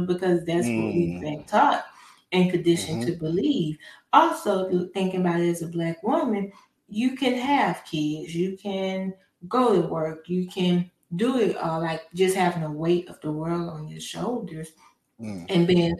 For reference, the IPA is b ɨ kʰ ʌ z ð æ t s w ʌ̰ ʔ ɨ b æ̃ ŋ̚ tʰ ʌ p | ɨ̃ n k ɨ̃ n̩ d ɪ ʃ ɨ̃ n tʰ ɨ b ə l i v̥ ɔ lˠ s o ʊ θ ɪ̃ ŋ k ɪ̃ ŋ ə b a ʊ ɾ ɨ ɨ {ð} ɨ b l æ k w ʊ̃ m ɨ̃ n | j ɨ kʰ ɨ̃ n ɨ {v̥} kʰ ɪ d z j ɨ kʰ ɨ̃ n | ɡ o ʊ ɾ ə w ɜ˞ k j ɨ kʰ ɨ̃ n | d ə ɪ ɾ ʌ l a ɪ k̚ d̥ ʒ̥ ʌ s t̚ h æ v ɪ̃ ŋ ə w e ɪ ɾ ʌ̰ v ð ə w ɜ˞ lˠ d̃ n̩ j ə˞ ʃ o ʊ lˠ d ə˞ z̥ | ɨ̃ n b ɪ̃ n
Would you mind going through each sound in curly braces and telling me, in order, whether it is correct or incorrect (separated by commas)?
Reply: incorrect, correct